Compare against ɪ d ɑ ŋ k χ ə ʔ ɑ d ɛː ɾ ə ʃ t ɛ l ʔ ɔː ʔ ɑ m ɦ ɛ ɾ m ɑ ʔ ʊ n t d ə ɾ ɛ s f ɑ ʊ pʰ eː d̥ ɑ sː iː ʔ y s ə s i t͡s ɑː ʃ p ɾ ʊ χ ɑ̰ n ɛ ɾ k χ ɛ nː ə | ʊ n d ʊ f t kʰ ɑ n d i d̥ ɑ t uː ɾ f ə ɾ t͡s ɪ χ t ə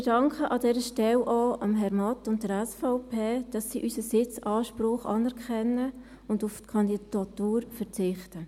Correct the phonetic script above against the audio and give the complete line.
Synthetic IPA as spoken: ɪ d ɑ ŋ k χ ə ʔ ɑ d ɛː ɾ ə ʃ t ɛ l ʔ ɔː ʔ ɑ m ɦ ɛ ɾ m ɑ t ʊ n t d ə ɾ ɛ s f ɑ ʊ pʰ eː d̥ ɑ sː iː ʔ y s ə s ɪ t͡s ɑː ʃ p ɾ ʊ χ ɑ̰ n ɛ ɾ k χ ɛ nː ə | ʊ n d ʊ f t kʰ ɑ n d i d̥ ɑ t uː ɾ f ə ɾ t͡s ɪ χ t ə